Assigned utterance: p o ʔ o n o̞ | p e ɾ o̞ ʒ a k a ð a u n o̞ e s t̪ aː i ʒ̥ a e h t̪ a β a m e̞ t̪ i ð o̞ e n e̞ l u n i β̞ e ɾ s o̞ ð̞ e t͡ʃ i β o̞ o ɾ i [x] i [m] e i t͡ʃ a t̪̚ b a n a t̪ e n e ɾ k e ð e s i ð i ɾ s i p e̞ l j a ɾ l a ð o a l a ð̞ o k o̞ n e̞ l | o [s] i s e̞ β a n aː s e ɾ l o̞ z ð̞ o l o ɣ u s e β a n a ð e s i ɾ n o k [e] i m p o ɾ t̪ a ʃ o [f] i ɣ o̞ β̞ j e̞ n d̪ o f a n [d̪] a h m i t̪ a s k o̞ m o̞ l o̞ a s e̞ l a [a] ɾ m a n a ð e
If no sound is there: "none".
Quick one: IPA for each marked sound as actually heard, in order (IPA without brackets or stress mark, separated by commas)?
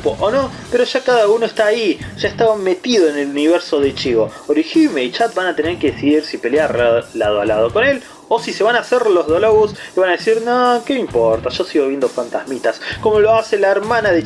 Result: x, m, s, e, s, t̪, e